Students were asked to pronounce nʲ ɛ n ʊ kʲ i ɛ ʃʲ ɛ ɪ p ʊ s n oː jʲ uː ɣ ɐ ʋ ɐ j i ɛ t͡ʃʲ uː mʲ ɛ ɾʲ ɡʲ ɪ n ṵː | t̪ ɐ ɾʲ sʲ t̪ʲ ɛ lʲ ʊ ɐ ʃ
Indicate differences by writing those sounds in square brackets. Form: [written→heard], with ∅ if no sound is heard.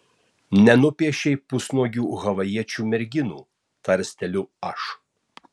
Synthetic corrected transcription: nʲ ɛ n ʊ [kʲ→pʲ] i ɛ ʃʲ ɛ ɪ p ʊ s n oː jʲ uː ɣ ɐ ʋ ɐ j i ɛ t͡ʃʲ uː mʲ ɛ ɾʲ ɡʲ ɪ n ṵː | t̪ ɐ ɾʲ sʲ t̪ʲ ɛ lʲ ʊ ɐ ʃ